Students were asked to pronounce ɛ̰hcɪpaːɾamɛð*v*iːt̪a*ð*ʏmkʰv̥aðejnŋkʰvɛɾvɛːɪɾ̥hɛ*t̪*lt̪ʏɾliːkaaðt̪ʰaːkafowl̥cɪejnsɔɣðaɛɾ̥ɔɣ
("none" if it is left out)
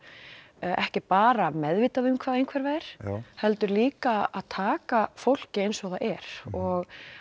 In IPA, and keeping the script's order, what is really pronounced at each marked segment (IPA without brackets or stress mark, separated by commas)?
v, ð, none